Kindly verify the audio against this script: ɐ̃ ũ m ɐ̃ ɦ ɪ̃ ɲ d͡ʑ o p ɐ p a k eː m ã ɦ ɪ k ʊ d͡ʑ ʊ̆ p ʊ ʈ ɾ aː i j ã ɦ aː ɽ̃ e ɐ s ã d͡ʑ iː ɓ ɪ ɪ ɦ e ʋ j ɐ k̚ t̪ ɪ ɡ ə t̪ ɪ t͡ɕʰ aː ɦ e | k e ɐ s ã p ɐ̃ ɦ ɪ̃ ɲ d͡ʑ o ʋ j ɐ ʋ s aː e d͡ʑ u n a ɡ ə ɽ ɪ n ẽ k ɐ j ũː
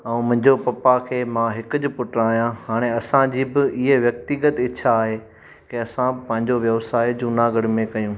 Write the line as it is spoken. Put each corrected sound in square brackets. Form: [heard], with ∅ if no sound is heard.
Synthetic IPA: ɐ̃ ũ m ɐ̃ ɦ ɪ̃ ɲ d͡ʑ o p ɐ p a [kʰ] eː m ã ɦ ɪ k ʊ d͡ʑ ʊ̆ p ʊ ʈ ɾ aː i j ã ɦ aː ɽ̃ e ɐ s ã d͡ʑ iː [b] ɪ ɪ ɦ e ʋ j ɐ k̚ t̪ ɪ ɡ ə t̪ ɪ t͡ɕʰ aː ɦ e | k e ɐ s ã p ɐ̃ ɦ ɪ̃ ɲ d͡ʑ o ʋ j ɐ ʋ s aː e d͡ʑ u n a ɡ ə ɽ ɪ [m] ẽ k ɐ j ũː

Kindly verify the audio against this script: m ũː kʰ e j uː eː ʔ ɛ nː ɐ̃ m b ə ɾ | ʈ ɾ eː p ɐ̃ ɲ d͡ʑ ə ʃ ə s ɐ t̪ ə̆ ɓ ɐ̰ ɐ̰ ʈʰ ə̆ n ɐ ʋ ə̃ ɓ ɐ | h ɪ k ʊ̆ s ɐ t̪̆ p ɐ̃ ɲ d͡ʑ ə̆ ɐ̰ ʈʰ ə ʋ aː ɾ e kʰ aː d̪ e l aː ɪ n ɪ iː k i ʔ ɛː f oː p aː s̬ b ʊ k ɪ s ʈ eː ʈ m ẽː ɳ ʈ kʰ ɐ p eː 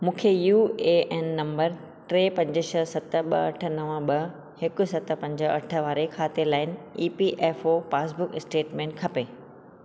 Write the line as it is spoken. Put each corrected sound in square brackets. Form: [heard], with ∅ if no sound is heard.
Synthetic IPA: m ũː kʰ e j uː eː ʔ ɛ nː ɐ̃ m b ə ɾ | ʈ ɾ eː p ɐ̃ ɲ d͡ʑ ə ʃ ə s ɐ t̪ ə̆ ɓ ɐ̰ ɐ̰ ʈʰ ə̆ n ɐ ʋ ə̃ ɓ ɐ | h ɪ k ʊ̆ s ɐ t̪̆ p ɐ̃ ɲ d͡ʑ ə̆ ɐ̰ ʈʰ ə ʋ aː ɾ e kʰ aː [t̪] e l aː ɪ n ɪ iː [p] i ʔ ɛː f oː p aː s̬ b ʊ k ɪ s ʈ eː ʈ m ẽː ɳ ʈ kʰ ɐ p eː

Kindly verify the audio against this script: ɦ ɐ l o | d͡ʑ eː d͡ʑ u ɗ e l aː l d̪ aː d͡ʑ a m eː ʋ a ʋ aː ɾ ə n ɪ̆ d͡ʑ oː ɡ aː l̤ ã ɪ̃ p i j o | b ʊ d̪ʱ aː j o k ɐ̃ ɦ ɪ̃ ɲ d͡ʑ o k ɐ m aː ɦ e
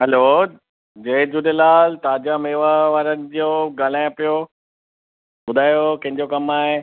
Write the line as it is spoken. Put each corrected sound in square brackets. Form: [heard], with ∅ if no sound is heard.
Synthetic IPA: ɦ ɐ l o | d͡ʑ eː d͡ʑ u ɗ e l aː l [t̪] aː d͡ʑ a m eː ʋ a ʋ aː ɾ ə n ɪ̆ d͡ʑ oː ɡ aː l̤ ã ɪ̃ p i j o | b ʊ d̪ʱ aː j o k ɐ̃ ɦ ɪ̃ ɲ d͡ʑ o k ɐ m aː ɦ e

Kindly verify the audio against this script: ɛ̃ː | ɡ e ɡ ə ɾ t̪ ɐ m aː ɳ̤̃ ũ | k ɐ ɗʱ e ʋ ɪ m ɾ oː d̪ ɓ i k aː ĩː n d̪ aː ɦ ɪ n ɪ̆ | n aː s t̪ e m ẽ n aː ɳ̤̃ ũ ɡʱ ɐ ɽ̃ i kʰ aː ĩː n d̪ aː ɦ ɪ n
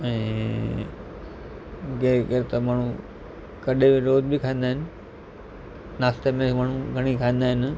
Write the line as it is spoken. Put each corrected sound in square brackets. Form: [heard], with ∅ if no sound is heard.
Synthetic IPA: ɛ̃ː | ɡ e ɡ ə ɾ t̪ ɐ m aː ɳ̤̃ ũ | k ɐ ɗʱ e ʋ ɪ [∅] ɾ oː d̪ [b] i [kʰ] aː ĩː n d̪ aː ɦ ɪ n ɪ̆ | n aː s t̪ e m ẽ [m] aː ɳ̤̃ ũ ɡʱ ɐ ɽ̃ i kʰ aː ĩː n d̪ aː ɦ ɪ n

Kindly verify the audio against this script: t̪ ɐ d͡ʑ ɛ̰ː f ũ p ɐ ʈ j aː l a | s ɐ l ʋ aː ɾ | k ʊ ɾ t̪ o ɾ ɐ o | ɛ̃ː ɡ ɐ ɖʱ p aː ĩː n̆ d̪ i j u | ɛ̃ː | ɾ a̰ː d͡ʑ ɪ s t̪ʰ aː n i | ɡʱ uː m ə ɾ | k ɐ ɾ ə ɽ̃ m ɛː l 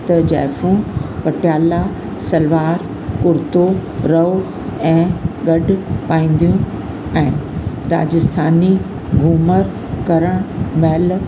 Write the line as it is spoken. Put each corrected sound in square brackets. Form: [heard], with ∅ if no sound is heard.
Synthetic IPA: t̪ ɐ d͡ʑ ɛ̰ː f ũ p ɐ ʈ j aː l a | s ɐ l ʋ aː ɾ | k ʊ ɾ t̪ o ɾ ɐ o | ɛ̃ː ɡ ɐ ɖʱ p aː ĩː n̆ d̪ i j [ũ] | ɛ̃ː | ɾ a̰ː d͡ʑ ɪ s t̪ʰ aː n i | ɡʱ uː m ə ɾ | k ɐ ɾ ə ɽ̃ m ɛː l

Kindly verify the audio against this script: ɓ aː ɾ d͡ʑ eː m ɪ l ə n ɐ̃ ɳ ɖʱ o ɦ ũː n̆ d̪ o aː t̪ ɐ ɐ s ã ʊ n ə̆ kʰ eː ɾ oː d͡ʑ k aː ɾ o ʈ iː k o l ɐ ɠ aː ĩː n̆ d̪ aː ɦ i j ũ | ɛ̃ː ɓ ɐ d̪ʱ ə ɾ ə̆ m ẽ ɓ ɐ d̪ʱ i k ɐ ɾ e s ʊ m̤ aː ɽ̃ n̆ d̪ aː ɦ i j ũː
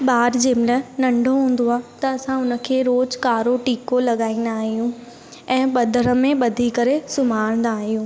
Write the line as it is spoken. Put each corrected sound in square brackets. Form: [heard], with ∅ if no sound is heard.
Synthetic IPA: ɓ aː ɾ d͡ʑ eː m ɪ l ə n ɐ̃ ɳ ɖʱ o ɦ ũː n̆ d̪ o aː t̪ ɐ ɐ s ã ʊ n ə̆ kʰ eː ɾ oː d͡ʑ k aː ɾ o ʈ iː k o l ɐ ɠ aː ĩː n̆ d̪ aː ɦ i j ũ | ɛ̃ː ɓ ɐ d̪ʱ ə ɾ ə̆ m ẽ ɓ ɐ d̪ʱ i k ɐ ɾ e s ʊ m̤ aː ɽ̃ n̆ d̪ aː ɦ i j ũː

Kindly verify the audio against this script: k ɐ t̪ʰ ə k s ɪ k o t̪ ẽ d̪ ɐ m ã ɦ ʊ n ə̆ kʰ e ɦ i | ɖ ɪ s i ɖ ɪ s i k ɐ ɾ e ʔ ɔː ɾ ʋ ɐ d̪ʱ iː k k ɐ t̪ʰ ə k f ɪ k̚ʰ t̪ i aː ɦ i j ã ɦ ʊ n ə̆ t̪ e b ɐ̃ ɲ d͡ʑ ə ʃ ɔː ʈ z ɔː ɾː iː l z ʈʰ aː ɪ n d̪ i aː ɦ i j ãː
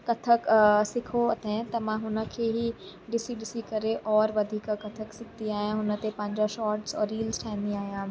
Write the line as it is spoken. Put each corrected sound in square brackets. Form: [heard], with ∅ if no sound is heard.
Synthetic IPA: k ɐ t̪ʰ ə k s ɪ [kʰ] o t̪ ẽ [t̪] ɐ m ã ɦ ʊ n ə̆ kʰ e ɦ i | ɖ ɪ s i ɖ ɪ s i k ɐ ɾ e ʔ ɔː ɾ ʋ ɐ d̪ʱ iː k k ɐ t̪ʰ ə k [s] ɪ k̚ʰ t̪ i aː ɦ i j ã ɦ ʊ n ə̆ t̪ e [p] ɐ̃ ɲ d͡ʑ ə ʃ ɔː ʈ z ɔː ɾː iː l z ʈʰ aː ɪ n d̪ i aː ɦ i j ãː

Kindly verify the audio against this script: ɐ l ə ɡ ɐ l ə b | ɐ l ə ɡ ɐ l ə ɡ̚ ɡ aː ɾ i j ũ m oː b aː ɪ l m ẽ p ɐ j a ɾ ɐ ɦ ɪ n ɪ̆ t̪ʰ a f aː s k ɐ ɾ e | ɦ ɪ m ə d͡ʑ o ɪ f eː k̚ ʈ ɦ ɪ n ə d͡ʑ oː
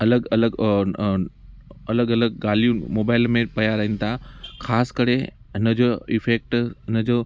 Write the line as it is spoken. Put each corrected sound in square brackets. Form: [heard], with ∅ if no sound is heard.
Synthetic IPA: ɐ l ə ɡ ɐ l ə [ɡ] | ɐ l ə ɡ ɐ l ə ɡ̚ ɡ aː [l] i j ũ m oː b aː ɪ l m ẽ p ɐ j a ɾ ɐ ɦ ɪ n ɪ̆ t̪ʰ a [x] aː s k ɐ ɾ e | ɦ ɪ [n] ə d͡ʑ o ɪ f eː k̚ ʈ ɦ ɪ n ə d͡ʑ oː

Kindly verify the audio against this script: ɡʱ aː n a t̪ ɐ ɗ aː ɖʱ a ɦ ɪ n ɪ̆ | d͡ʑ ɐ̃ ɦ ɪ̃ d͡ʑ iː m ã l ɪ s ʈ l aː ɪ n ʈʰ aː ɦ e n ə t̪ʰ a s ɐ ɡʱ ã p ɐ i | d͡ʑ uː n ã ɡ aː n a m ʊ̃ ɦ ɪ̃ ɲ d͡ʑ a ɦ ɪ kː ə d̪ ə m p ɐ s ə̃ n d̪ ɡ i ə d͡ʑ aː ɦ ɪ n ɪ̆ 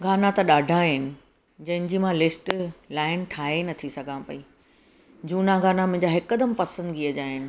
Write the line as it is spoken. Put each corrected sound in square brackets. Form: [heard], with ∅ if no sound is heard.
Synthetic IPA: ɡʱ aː n a t̪ ɐ ɗ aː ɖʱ a ɦ ɪ n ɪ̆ | d͡ʑ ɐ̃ ɦ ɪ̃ d͡ʑ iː m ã l ɪ s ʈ l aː ɪ n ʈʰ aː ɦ e n [ɐ] t̪ʰ [i] s ɐ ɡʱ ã p ɐ i | d͡ʑ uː n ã ɡ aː n a m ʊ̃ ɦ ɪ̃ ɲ d͡ʑ a ɦ ɪ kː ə d̪ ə m p ɐ s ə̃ n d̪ ɡ i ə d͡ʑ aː ɦ ɪ n ɪ̆

